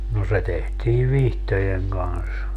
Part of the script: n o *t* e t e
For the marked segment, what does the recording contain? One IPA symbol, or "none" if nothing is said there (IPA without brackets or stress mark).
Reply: s